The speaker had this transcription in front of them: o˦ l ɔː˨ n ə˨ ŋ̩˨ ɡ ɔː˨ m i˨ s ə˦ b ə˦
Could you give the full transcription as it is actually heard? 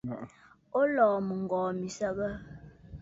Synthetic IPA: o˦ l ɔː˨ m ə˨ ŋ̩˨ ɡ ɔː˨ m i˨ s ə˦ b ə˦